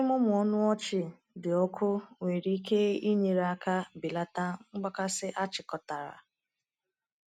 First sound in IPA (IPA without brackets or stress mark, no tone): m